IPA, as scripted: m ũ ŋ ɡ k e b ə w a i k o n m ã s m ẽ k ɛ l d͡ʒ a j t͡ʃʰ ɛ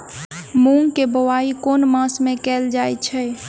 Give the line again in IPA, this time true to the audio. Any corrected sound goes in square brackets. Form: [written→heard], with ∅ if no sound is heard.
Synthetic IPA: m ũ ŋ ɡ k e b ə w a i k o n m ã s m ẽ k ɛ l d͡ʒ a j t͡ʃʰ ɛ